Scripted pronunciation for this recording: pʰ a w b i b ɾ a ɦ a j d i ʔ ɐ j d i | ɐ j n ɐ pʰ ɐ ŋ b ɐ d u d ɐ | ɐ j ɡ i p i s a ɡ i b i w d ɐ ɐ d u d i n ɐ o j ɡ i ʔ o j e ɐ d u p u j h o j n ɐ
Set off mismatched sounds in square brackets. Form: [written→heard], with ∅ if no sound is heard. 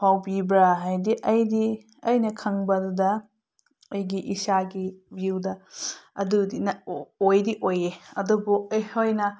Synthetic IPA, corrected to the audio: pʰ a w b i b ɾ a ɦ a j d i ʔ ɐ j d i | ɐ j n ɐ [pʰ→kʰ] ɐ ŋ b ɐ d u d ɐ | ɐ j ɡ i [p→ʔ] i s a ɡ i b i w d ɐ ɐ d u d i n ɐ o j [ɡ→d] i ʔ o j e ɐ d u [p→b] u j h o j n ɐ